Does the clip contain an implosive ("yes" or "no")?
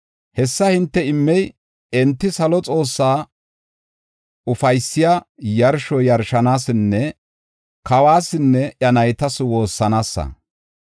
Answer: no